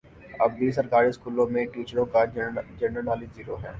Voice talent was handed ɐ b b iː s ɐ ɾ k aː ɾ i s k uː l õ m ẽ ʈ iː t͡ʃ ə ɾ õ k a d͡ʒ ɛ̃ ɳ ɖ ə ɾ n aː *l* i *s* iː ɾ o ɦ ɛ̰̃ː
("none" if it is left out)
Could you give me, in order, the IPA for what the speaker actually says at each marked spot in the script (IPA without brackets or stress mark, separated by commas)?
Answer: l, z